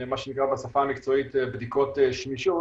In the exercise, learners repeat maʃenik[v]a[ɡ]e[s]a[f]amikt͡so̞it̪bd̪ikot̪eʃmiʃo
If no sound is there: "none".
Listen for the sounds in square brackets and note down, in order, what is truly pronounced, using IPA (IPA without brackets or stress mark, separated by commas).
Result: ʁ, b, s, f